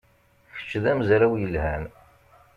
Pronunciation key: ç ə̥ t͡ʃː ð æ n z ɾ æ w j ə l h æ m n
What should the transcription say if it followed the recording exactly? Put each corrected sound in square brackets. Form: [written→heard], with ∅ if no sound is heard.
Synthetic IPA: ç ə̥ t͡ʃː ð æ [n→m] z ɾ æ w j ə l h æ [m→∅] n